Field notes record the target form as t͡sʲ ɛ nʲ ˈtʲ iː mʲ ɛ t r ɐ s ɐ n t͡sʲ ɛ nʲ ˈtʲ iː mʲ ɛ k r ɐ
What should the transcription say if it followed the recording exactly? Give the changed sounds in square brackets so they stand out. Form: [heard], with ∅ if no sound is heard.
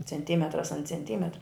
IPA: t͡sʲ ɛ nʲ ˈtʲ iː mʲ ɛ t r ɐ s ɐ n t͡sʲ ɛ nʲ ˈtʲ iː mʲ ɛ [t] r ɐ

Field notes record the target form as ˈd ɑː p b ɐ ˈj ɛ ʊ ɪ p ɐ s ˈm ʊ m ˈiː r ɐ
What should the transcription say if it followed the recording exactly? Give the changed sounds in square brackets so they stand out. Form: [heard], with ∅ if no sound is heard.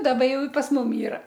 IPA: ˈd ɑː [∅] b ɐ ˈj ɛ ʊ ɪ p ɐ s ˈm ʊ m ˈiː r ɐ

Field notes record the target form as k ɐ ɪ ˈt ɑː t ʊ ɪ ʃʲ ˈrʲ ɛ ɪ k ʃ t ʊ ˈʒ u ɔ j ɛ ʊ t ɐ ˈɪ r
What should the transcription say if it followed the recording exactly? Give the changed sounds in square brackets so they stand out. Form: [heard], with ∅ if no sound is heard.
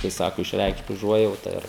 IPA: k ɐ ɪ [ˈs] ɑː [k] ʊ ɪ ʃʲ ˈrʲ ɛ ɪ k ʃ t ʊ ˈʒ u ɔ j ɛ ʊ t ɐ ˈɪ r

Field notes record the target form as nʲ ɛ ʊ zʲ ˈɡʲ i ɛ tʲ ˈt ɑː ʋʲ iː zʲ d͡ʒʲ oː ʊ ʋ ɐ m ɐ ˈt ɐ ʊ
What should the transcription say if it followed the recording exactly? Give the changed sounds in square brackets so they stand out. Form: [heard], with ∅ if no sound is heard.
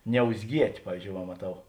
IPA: nʲ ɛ ʊ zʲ ˈɡʲ i ɛ tʲ [ˈp] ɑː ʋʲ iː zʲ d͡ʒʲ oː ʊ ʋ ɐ m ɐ ˈt ɐ ʊ

